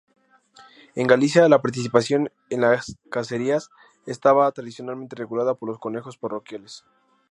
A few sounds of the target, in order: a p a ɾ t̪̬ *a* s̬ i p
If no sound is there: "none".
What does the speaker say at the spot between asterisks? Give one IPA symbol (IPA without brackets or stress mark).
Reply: i